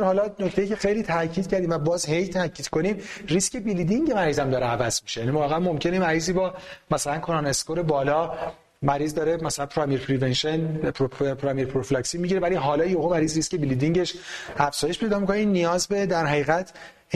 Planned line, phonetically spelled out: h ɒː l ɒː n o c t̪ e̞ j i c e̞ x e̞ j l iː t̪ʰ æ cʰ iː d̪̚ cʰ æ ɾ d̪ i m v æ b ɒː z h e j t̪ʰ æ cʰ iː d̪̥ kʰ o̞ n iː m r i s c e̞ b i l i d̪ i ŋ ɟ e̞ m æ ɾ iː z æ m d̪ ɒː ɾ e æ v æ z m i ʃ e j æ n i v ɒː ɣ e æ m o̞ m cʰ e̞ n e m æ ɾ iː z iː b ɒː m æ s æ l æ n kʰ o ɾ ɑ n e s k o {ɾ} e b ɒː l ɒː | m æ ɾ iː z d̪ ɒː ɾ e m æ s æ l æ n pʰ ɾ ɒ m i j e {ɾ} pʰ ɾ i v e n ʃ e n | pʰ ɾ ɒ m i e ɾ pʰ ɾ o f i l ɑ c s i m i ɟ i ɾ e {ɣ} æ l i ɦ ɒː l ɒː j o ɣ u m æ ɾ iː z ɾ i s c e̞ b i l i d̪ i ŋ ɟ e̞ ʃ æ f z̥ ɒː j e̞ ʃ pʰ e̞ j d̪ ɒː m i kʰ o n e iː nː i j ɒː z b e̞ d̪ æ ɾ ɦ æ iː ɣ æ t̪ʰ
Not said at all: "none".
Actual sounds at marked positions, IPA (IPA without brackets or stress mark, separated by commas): ɾ, ɾ, v